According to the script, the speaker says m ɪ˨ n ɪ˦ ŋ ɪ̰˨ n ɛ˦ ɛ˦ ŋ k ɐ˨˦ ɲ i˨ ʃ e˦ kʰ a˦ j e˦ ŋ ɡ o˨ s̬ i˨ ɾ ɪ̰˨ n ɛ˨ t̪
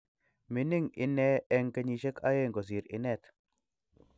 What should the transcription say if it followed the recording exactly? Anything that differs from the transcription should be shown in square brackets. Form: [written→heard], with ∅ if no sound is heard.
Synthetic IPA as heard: m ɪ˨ n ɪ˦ ŋ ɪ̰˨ n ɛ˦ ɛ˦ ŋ k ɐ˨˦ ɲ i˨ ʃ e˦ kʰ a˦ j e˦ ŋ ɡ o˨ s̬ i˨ ɾ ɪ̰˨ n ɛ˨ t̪